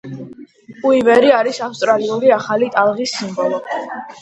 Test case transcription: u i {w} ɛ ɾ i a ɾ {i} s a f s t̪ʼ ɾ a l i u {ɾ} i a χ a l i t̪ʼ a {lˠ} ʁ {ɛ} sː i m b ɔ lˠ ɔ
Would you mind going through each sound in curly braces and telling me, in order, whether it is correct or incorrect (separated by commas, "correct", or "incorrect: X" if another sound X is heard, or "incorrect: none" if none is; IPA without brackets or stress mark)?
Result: incorrect: v, correct, correct, correct, incorrect: i